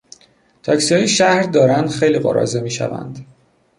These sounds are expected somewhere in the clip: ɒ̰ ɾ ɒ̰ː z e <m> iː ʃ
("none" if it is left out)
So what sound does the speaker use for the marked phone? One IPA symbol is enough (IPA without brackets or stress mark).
m